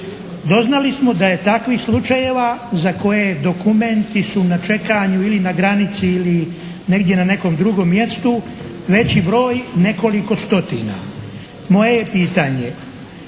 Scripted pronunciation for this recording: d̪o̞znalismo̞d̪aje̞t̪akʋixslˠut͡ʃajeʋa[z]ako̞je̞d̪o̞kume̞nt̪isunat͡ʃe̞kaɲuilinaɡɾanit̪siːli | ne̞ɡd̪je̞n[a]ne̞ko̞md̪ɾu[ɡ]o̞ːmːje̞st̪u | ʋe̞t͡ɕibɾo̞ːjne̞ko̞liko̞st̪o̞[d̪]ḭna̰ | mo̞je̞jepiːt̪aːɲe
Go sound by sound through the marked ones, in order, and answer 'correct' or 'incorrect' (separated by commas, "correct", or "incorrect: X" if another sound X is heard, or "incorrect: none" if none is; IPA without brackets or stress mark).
correct, correct, correct, incorrect: t̪